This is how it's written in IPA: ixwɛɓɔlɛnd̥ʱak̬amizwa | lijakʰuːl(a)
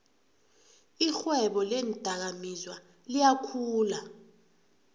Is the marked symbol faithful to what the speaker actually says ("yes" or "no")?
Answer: yes